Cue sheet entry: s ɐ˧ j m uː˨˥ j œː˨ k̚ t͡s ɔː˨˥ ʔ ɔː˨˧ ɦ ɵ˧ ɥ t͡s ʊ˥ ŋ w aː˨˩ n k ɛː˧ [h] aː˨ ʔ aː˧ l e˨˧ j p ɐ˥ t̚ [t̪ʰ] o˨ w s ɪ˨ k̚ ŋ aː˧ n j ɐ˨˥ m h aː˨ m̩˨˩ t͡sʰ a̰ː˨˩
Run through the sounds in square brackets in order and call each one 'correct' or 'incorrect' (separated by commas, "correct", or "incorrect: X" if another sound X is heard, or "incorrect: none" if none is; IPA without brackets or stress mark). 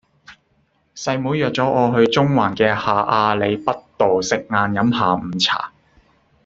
correct, incorrect: t̪